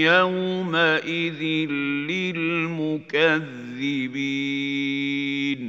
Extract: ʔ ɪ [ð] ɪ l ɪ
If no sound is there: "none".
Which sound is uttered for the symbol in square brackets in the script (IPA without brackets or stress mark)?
ð